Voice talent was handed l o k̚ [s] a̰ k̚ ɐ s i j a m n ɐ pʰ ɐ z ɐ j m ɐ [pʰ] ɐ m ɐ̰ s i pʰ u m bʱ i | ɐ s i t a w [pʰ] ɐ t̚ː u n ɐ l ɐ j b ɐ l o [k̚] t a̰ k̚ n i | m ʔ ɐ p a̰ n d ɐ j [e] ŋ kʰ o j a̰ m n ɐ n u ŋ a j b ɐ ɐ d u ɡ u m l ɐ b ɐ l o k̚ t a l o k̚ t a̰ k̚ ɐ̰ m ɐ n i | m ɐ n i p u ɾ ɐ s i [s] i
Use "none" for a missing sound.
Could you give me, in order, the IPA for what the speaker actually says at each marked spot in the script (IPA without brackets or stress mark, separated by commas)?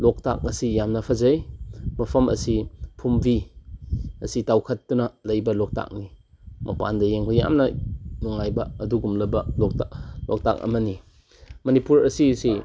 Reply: t, pʰ, kʰ, k̚, e, s